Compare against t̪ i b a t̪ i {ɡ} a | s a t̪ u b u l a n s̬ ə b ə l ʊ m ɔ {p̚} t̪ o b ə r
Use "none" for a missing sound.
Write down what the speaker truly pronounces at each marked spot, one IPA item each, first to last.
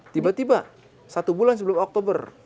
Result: b, k̚

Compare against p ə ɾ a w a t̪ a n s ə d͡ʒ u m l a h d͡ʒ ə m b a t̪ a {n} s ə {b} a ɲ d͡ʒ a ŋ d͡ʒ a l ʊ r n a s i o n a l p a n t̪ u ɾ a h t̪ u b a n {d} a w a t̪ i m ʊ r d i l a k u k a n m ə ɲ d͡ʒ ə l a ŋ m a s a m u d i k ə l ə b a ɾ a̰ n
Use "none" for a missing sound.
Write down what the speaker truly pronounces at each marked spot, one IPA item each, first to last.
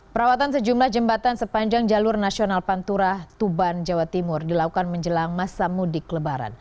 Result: n, p, d͡ʒ

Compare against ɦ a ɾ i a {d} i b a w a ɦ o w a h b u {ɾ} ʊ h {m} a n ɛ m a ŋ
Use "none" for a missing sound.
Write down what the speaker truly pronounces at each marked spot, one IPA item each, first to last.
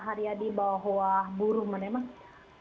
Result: d, ɾ, m

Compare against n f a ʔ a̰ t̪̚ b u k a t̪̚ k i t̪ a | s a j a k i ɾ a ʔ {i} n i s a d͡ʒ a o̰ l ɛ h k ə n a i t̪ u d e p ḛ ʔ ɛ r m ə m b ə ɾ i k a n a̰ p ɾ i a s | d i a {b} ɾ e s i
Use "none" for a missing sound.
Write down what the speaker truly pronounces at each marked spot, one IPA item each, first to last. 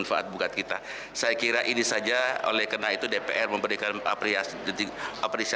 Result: i, p

